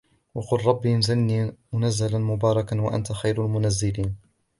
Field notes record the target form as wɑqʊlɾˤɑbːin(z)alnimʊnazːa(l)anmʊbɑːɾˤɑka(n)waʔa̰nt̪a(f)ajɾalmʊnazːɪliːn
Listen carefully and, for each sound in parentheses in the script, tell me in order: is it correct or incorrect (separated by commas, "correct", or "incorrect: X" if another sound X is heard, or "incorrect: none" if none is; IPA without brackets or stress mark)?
correct, correct, correct, incorrect: x